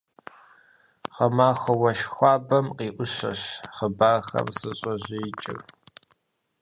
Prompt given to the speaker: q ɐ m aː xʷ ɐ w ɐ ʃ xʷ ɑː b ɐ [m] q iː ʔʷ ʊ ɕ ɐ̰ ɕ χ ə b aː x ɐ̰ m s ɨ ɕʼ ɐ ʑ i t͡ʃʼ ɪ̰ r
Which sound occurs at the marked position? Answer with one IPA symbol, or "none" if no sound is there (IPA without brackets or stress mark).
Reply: m